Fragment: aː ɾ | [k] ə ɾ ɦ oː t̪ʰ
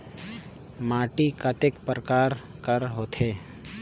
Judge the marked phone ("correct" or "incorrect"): correct